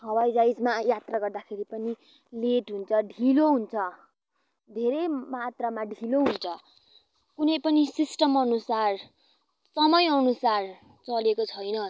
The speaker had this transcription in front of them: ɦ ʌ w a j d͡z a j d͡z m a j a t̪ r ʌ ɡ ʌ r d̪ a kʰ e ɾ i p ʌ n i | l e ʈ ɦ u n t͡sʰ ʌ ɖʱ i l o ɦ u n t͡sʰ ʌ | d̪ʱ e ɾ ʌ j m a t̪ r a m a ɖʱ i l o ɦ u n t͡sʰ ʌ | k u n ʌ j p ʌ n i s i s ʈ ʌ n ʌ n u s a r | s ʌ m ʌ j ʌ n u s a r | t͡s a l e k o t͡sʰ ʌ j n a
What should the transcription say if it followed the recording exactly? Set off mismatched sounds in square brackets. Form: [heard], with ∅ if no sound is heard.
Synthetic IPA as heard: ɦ ʌ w a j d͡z a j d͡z m a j a t̪ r [a] ɡ ʌ r d̪ a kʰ e ɾ i p ʌ n i | l e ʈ ɦ u n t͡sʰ ʌ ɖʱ i l o ɦ u n t͡sʰ ʌ | d̪ʱ e ɾ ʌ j m a t̪ r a m a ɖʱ i l o ɦ u n t͡sʰ ʌ | k u n ʌ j p ʌ n i s i s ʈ ʌ [m] ʌ n u s a r | s ʌ m ʌ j ʌ n u s a r | t͡s [ʌ] l e k o t͡sʰ ʌ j n [ʌ]